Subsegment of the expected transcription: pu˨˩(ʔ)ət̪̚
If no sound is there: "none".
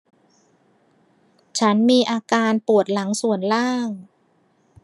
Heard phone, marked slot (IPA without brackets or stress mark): none